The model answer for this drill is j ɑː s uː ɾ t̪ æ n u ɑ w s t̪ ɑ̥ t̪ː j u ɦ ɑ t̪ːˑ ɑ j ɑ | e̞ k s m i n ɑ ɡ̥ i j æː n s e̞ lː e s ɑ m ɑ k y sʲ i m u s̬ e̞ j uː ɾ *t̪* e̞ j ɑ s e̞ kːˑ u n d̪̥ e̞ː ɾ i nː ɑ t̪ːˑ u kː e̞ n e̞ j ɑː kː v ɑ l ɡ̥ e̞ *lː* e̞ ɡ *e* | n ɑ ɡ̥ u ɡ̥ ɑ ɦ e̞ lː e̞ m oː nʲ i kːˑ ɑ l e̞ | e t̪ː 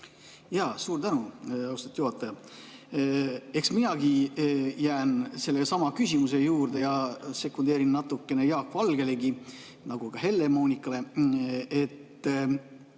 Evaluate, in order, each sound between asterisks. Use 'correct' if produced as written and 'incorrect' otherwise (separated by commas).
incorrect, incorrect, incorrect